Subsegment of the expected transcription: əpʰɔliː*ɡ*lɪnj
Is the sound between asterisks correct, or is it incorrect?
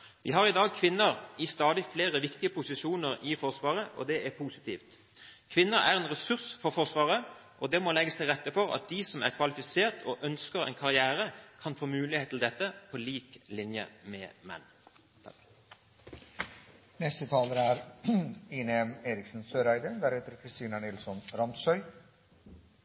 incorrect